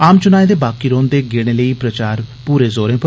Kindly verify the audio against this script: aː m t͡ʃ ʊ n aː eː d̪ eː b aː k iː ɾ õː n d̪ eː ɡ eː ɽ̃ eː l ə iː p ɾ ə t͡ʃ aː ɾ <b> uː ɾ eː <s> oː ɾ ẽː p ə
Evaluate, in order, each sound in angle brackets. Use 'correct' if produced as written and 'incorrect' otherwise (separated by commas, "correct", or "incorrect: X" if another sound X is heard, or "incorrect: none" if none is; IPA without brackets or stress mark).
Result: incorrect: p, incorrect: z